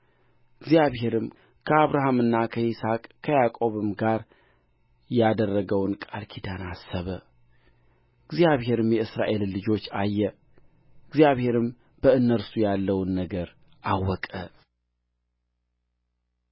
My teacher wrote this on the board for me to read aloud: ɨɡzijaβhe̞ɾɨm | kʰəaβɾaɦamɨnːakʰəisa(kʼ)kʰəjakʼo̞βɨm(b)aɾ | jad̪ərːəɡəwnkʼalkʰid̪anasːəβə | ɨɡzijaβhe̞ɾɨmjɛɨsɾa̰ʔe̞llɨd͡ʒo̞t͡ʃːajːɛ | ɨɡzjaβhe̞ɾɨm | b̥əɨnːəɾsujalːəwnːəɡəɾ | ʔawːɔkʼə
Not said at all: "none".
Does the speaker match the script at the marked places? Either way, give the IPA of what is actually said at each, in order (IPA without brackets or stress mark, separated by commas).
kʼ, ɡ